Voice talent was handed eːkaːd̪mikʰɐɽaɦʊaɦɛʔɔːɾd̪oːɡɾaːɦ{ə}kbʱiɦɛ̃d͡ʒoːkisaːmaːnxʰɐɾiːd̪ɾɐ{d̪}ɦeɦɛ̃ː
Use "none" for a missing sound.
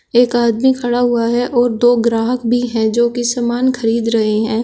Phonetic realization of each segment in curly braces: ə, none

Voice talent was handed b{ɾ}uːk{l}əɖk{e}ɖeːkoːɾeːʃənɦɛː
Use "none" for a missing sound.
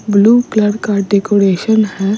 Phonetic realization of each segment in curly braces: l, l, a

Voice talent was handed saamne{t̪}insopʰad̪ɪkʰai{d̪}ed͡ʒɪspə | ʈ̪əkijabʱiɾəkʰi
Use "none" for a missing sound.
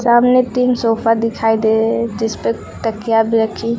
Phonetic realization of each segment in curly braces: t̪, d̪

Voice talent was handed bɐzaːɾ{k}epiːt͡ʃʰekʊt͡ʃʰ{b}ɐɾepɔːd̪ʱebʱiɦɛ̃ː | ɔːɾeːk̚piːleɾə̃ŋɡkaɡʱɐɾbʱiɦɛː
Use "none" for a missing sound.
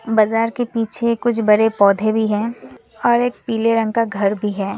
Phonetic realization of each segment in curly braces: k, b

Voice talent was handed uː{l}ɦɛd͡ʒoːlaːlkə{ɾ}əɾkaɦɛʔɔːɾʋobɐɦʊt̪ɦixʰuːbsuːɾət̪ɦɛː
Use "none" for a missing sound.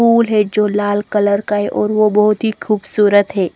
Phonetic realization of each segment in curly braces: l, l

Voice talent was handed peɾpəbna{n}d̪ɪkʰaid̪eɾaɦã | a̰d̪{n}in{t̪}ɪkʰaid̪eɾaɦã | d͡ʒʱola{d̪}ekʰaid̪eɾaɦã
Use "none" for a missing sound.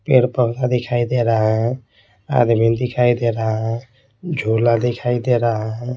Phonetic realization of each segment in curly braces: none, m, d̪, d̪

